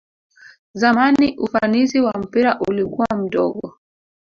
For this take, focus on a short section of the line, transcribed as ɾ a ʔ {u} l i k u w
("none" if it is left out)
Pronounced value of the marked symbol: u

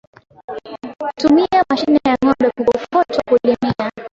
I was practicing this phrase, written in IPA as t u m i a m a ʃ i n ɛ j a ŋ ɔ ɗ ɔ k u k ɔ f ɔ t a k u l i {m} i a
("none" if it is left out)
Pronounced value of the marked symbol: m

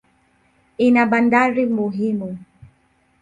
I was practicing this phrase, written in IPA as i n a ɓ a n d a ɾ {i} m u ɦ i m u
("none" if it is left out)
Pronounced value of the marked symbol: i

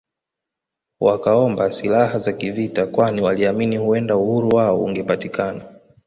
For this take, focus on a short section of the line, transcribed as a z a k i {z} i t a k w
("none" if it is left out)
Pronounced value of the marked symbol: v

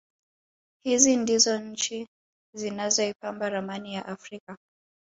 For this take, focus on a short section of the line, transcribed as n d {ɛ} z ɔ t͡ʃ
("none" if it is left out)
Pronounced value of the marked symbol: i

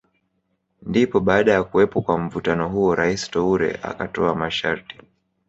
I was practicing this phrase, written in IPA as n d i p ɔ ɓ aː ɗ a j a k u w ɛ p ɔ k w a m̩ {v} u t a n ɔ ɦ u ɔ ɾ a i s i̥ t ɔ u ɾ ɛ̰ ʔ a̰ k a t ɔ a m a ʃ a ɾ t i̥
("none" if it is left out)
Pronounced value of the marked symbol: v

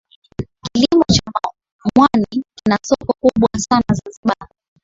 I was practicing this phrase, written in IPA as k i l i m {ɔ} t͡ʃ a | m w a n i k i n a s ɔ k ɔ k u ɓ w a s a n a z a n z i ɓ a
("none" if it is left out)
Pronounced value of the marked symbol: ɔ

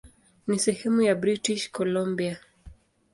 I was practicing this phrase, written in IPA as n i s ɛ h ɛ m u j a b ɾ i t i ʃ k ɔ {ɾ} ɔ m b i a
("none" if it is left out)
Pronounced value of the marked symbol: l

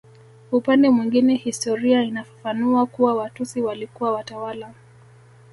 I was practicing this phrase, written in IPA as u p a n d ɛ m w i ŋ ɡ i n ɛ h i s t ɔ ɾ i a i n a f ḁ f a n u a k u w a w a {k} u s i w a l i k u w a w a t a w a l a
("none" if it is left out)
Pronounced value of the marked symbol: t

